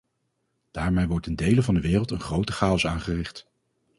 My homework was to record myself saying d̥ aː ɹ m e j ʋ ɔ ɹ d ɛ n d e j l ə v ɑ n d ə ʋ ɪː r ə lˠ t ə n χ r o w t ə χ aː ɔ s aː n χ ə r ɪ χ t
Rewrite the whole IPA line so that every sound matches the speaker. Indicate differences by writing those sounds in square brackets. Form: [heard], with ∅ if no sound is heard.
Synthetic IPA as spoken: d̥ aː ɹ m e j ʋ ɔ ɹ [t] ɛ n d e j l ə v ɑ n d ə ʋ ɪː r ə lˠ t ə n χ r o w t ə χ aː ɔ s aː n χ ə r ɪ χ t